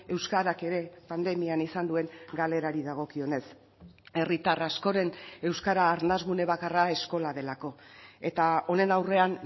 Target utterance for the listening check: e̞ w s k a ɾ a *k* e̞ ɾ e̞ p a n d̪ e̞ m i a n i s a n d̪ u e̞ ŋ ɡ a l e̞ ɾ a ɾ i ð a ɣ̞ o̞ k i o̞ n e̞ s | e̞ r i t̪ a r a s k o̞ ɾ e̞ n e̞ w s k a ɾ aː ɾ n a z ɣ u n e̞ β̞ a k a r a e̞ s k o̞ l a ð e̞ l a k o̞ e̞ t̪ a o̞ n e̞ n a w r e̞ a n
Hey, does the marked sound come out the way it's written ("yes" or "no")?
yes